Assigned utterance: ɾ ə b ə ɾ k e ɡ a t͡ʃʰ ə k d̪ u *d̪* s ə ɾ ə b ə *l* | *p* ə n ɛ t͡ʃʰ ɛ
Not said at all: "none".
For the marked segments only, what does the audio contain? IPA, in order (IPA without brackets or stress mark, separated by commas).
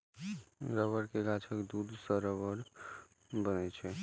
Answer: d̪, ɾ, b